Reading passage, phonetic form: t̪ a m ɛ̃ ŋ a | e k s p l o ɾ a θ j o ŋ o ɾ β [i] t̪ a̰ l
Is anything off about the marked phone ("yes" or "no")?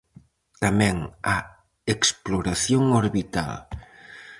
no